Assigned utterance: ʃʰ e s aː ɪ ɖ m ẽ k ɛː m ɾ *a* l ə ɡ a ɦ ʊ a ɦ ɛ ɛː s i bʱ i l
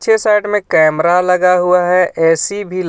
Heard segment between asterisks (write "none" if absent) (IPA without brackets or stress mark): a